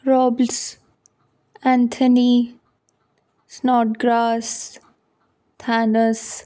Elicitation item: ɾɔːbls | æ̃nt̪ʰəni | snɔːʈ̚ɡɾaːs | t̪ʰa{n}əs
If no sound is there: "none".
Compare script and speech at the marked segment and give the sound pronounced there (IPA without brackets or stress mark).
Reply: n